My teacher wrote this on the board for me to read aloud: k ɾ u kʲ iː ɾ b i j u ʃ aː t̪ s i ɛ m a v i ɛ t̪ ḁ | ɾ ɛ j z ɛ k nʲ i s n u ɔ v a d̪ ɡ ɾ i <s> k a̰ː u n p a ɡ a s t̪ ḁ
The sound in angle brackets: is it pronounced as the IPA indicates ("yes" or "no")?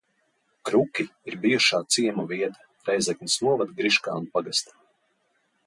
no